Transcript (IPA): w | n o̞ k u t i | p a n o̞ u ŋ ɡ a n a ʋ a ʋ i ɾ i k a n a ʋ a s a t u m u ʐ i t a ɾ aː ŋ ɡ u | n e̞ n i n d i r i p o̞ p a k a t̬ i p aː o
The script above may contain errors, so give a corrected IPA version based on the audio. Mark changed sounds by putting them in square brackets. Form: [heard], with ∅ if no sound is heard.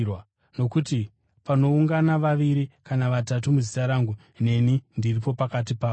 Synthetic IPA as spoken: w | n o̞ k u t i | p a n o̞ u ŋ ɡ a n a ʋ a ʋ i ɾ i k a n a ʋ a [t] a t u m u [z] i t a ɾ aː ŋ ɡ u | n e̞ n i n d i r i p o̞ p a k a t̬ i p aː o